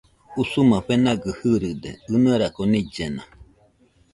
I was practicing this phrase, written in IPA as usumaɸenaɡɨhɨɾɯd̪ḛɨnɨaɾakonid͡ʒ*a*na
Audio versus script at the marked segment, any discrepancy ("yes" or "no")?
yes